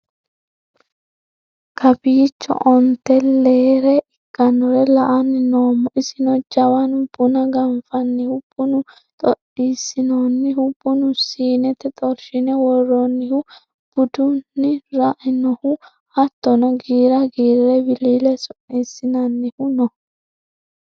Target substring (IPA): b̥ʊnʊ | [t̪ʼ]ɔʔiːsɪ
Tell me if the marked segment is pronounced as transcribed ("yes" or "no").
yes